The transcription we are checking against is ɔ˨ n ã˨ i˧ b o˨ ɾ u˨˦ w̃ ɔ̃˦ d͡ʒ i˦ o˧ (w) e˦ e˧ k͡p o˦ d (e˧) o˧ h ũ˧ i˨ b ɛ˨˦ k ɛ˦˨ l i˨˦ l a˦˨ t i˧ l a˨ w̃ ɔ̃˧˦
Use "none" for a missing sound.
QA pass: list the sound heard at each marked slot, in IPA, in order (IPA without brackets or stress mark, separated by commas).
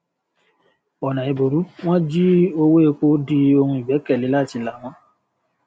w, i˧